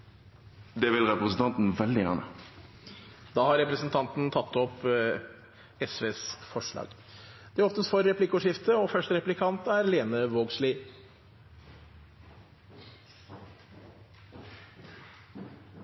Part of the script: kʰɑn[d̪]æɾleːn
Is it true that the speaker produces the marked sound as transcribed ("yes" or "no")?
no